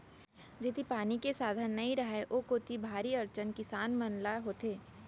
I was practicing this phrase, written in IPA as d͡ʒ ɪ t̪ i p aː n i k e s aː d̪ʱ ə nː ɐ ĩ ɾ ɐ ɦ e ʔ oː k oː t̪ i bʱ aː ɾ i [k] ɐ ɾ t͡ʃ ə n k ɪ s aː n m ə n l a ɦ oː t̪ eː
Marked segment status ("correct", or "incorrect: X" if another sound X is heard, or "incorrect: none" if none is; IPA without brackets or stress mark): incorrect: none